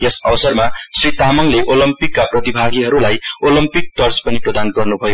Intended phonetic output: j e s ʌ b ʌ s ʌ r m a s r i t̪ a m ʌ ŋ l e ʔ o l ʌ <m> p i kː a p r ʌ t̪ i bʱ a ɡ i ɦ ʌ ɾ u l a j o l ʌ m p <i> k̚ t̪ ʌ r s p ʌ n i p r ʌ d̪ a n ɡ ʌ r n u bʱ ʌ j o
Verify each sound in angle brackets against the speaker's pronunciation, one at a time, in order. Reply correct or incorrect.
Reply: correct, correct

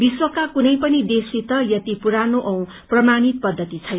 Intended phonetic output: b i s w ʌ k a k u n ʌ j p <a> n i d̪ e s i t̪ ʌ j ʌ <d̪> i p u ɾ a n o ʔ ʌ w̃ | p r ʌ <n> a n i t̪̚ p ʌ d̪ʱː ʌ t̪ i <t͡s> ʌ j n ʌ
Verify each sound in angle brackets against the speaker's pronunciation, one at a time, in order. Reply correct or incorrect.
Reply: incorrect, incorrect, incorrect, incorrect

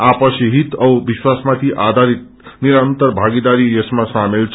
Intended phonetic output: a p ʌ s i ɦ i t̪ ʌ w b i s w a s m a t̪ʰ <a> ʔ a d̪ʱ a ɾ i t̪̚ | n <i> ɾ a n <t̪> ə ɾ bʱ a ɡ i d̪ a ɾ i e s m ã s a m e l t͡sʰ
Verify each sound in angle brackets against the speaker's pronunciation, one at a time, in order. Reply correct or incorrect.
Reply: incorrect, correct, correct

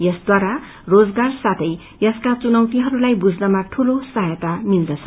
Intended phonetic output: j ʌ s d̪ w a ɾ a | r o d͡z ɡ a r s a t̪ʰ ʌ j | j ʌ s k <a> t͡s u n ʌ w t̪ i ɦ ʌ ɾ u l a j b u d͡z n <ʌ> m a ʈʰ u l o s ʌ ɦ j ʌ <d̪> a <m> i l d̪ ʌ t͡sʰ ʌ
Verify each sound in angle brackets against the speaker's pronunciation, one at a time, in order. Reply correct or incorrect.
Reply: correct, correct, incorrect, correct

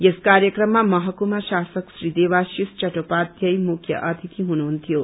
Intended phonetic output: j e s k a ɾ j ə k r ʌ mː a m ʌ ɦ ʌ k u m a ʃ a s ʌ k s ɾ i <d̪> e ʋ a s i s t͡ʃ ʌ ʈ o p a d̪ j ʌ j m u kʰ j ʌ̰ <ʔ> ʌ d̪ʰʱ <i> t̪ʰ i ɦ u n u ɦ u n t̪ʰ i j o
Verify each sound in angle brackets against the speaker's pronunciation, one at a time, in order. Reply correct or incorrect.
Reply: correct, correct, correct

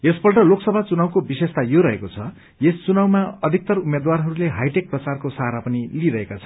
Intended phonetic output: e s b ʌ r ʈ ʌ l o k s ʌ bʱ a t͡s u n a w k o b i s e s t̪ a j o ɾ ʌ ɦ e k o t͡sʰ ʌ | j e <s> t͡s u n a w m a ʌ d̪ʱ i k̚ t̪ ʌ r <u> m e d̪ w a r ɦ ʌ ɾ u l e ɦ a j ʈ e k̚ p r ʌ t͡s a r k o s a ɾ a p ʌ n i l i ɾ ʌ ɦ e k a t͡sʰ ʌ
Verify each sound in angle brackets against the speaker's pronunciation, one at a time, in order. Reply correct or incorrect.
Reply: correct, correct

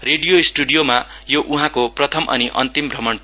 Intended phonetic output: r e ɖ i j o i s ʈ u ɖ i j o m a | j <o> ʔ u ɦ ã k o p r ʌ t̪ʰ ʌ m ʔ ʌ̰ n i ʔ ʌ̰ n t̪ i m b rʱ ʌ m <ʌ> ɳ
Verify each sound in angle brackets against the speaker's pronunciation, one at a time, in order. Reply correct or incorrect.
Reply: correct, correct

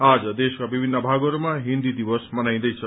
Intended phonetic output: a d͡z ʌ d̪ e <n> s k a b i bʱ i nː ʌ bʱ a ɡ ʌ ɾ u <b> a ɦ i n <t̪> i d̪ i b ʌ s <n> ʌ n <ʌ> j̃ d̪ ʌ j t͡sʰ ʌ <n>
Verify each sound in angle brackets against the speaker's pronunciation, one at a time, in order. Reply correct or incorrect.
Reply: incorrect, incorrect, incorrect, incorrect, incorrect, incorrect

